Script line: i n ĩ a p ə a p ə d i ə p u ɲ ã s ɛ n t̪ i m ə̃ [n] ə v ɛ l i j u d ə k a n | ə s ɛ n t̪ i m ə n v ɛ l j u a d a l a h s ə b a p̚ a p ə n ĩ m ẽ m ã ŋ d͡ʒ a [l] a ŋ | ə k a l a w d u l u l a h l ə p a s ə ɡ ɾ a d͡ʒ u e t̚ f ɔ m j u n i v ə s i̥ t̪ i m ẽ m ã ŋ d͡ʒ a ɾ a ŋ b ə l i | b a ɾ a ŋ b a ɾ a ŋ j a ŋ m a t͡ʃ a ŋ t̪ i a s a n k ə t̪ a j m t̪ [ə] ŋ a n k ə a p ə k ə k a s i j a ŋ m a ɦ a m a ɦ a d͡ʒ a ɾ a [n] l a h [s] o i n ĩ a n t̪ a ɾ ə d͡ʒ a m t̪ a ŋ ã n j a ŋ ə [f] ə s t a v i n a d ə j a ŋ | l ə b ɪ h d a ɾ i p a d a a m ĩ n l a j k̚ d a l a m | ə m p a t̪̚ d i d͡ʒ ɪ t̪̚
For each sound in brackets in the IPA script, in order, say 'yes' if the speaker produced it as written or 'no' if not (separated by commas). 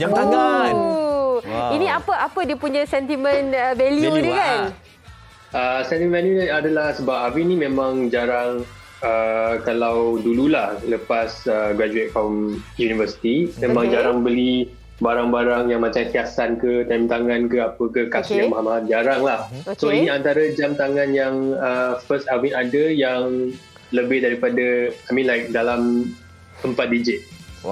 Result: yes, no, no, no, yes, yes